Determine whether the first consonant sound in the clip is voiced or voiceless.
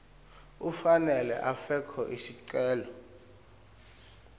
voiceless